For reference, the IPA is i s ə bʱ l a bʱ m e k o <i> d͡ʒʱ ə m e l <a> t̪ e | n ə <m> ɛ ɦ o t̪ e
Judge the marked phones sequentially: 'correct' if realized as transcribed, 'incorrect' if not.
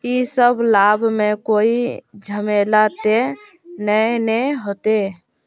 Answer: correct, correct, incorrect: n

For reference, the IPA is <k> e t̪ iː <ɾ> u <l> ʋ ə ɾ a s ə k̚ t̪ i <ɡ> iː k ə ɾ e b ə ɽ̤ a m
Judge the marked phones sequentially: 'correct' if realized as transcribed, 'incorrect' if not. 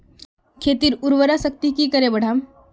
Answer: incorrect: kʰ, correct, incorrect: ɾ, incorrect: k

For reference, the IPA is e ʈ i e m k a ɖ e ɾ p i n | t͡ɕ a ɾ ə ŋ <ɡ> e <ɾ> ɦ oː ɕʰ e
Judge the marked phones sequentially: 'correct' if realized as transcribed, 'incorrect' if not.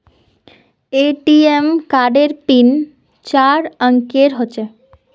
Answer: incorrect: k, correct

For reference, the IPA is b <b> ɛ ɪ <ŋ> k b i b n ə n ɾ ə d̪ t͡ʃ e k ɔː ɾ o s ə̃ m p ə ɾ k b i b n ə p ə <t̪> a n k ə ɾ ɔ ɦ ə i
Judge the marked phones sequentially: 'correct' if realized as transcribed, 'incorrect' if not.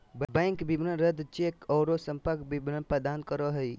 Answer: correct, correct, incorrect: d̪

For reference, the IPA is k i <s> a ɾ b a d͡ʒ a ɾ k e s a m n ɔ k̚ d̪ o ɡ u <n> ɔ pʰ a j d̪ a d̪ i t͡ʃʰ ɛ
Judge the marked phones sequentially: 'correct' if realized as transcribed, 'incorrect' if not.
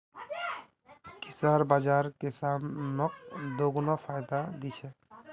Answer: correct, correct

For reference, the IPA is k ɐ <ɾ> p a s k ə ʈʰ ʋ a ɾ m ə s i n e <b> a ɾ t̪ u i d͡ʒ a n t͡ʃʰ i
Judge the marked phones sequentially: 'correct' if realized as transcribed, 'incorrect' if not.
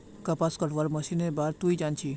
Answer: incorrect: none, correct

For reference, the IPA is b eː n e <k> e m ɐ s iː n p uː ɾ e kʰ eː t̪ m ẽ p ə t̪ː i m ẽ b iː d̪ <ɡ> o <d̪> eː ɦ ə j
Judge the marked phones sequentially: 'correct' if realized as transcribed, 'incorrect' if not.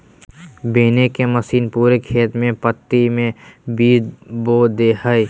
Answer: correct, incorrect: b, correct

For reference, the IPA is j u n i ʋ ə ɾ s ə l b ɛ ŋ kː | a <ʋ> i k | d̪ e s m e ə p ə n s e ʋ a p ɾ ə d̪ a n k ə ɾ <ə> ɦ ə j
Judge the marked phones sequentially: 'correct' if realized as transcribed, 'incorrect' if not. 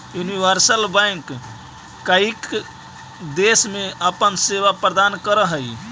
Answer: incorrect: none, correct

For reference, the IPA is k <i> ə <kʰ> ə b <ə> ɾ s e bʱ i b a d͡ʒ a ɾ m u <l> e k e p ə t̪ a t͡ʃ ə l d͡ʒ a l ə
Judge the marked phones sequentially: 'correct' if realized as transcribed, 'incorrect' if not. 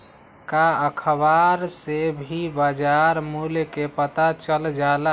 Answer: incorrect: a, correct, incorrect: a, correct

